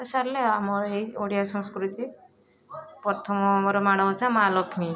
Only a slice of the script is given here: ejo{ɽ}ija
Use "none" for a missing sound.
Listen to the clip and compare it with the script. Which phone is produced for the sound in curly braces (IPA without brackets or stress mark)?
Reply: ɽ